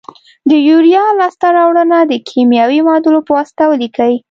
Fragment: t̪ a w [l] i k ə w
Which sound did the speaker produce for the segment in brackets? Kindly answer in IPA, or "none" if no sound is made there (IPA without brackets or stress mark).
l